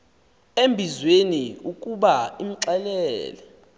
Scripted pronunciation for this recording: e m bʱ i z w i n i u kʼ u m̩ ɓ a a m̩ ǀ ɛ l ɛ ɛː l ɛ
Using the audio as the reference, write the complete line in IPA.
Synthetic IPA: e m bʱ i z w e n i u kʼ u ɓ a i m̩ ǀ ɛ l ɛ ɛː l ɛ

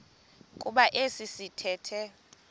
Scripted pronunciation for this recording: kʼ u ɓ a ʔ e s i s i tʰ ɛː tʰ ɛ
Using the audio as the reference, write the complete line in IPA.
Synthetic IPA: kʼ u ɓ a ʔ e s i s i tʰ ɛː tʰ ɛ

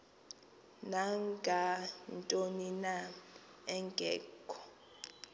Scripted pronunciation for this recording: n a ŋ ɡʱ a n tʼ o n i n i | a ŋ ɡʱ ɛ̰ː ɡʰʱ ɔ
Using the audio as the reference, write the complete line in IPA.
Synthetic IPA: n a ŋ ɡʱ a n tʼ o n i n a | ɛ ŋ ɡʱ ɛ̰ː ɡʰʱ ɔ

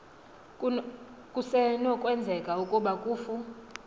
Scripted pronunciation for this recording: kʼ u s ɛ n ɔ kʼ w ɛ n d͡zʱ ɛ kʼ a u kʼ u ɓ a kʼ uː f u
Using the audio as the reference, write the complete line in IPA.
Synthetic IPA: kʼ u s ɛ n ɔ kʼ w ɛ n d͡zʱ ɛ kʼ a u kʼ u ɓ a kʼ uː f u

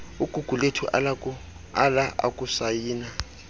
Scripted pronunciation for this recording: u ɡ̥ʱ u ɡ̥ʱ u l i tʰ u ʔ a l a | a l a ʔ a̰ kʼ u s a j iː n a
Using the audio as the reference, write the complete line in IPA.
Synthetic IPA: u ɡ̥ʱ u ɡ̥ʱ u l e tʰ u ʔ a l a | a l a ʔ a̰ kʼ u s a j iː n a

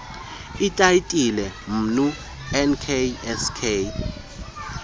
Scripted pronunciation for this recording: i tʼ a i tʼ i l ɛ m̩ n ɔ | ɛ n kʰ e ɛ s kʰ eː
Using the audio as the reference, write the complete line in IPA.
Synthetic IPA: i tʼ a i tʼ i l ɛ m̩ n u | ɛ n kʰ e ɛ s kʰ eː

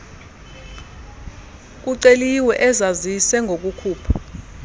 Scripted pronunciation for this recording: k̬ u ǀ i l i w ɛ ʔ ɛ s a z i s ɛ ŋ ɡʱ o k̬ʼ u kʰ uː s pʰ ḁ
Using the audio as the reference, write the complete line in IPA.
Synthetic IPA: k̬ u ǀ e l i w ɛ ʔ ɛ z a z i s ɛ ŋ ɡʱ o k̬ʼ u kʰ uː pʰ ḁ

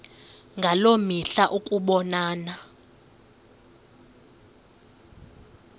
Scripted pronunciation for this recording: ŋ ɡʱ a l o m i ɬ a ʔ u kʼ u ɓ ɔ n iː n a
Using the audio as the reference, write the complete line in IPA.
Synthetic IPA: ŋ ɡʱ a l o m i ɬ a ʔ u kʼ u ɓ ɔ n aː n a

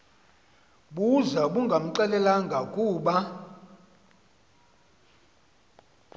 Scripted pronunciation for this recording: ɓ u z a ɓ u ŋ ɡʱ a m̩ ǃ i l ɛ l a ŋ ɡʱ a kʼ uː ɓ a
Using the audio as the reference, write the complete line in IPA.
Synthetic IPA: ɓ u z a ɓ u ŋ ɡʱ a m̩ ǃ ɛ l ɛ l a ŋ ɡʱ a kʼ uː ɓ a

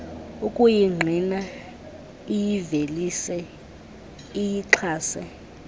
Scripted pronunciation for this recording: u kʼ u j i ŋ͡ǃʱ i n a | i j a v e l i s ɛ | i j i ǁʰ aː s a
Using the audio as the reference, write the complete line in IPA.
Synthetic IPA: u kʼ u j i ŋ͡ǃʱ i n a | i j i v e l i s ɛ | i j i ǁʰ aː s ɛ

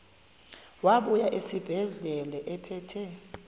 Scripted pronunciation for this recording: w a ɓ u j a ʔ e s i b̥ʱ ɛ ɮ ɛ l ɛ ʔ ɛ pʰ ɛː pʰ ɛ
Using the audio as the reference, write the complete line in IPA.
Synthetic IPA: w a ɓ u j a ʔ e s i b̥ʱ ɛ ɮ ɛ l ɛ ʔ ɛ pʰ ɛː tʰ ɛ

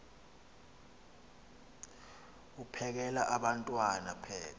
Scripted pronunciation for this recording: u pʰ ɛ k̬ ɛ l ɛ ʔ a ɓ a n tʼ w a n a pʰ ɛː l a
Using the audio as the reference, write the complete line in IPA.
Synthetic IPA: u pʰ ɛ k̬ ɛ l a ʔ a ɓ a n tʼ w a n a pʰ ɛː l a

